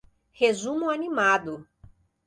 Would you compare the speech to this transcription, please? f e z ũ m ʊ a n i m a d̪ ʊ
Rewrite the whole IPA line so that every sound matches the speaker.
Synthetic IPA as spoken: h e z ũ m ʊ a n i m a d̪ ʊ